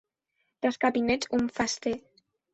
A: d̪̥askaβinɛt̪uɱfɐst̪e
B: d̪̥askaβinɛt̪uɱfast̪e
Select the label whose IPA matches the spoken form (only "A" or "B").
B